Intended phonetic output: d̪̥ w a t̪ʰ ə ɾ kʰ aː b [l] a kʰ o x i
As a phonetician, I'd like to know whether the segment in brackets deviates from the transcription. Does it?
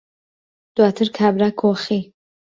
yes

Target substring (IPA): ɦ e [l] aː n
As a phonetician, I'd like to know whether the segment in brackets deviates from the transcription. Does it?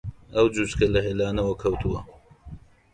no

